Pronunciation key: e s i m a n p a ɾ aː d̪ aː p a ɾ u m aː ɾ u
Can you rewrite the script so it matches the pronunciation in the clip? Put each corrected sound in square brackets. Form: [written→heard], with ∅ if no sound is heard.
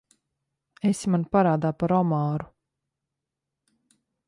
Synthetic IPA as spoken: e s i m a n p a ɾ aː d̪ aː p a ɾ [u→ɔ] m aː ɾ u